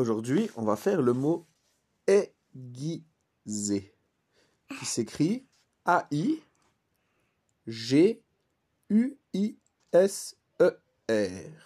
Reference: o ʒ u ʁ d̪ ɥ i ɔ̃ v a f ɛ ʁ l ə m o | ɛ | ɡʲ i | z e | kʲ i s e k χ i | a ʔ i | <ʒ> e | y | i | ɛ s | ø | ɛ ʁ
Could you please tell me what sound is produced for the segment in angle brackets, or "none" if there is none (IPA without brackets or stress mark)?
ʒ